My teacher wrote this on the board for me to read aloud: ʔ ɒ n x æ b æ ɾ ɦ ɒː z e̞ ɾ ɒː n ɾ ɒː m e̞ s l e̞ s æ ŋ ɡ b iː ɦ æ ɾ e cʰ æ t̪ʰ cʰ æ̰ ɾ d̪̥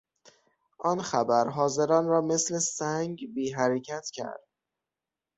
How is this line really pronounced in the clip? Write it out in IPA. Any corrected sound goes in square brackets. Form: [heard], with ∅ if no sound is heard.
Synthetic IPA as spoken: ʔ ɒ n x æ b æ ɾ ɦ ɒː z e̞ ɾ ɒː n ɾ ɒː m e̞ s l e̞ s æ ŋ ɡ b iː ɦ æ ɾ e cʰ æ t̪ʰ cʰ æ̰ ɾ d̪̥